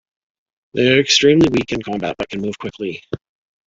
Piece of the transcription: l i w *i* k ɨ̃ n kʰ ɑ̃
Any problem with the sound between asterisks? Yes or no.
no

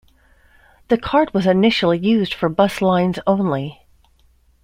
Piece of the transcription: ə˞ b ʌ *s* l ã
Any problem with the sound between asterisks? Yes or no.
no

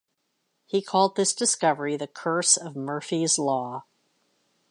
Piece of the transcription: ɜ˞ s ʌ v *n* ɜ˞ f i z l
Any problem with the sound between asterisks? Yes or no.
yes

